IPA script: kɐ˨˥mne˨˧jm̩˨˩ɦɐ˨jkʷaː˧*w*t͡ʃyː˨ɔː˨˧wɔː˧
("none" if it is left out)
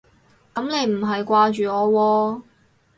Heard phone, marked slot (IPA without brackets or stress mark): none